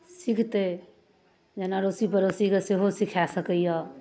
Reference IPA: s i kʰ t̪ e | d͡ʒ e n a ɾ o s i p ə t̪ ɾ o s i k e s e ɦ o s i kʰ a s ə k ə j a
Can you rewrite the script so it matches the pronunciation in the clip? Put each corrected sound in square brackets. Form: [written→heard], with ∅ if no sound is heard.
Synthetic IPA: s i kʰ t̪ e | d͡ʒ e n a ɾ o s i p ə [t̪→∅] ɾ o s i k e s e ɦ o s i kʰ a s ə k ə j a